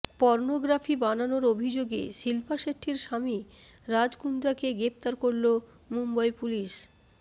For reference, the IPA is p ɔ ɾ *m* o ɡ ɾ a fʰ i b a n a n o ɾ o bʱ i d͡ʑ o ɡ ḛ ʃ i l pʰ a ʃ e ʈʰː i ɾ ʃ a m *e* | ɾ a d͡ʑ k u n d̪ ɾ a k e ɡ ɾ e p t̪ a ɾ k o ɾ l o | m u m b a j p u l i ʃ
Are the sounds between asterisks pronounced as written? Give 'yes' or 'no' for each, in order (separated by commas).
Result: no, no